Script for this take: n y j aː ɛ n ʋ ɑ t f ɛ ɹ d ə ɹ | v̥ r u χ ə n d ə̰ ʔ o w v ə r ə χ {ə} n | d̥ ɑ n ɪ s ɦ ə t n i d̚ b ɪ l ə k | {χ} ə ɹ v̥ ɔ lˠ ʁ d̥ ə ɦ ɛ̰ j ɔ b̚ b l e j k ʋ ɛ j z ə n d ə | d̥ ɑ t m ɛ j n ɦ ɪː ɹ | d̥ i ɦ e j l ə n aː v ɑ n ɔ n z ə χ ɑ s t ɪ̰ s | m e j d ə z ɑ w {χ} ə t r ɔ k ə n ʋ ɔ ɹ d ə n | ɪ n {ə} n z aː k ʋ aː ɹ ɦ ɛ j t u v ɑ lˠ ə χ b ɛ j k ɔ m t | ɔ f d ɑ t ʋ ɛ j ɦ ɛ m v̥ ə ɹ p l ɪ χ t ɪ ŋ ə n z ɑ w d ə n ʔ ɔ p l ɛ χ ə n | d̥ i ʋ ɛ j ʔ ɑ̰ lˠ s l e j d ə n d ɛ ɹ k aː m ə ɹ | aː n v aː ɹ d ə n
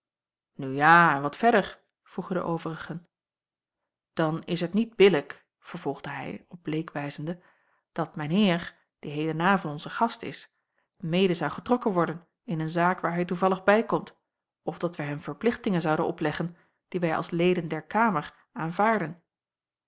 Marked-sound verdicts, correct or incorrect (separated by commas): correct, incorrect, correct, correct